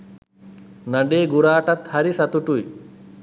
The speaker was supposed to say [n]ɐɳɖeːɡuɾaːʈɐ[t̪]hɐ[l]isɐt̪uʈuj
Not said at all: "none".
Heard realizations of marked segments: n, t̪, ɾ

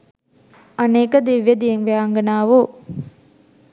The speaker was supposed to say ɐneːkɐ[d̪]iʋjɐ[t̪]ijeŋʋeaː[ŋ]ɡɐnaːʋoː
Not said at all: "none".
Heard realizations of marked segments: d̪, d̪, ŋ

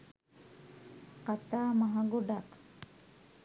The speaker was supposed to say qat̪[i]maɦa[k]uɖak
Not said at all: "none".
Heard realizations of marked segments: a, ɡ

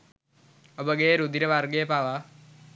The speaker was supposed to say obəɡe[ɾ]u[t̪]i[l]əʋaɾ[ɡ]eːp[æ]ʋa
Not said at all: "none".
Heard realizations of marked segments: ɾ, d̪, ɾ, ɡ, a

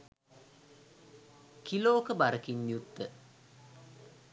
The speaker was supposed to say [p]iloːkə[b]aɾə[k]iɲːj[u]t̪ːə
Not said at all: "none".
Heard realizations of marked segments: k, b, k, u

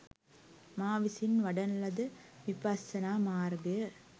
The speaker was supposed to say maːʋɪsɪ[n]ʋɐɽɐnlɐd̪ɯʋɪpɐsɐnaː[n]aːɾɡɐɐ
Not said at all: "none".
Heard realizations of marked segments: n, m

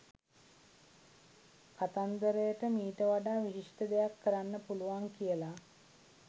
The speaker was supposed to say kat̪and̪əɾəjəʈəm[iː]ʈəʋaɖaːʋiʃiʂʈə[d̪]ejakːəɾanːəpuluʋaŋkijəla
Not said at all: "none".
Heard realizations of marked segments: iː, d̪

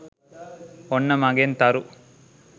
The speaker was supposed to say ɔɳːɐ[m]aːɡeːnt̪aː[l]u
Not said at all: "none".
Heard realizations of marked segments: m, ɾ

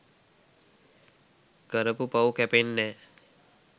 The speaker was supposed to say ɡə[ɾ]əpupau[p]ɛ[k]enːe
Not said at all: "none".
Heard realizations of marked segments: ɾ, k, p

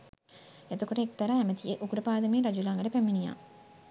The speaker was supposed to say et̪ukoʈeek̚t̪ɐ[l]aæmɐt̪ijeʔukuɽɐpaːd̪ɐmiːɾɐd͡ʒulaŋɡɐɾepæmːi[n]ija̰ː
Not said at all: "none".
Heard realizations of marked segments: ɾ, n

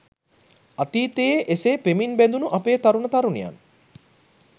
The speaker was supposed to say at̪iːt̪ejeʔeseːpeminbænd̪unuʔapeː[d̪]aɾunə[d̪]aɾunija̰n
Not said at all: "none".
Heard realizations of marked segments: t̪, t̪

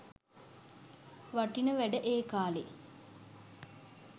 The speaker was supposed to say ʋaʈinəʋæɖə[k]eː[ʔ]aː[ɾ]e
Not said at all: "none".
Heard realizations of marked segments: ʔ, k, l

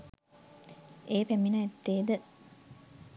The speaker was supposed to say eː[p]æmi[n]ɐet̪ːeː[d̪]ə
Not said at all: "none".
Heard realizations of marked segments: p, n, d̪

